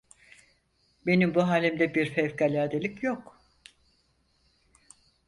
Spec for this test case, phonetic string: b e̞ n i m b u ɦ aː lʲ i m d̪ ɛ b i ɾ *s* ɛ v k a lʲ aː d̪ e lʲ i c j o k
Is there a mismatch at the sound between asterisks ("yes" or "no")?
yes